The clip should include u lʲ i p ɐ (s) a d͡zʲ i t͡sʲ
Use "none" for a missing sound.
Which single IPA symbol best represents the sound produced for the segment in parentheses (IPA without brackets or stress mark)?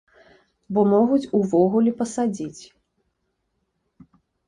s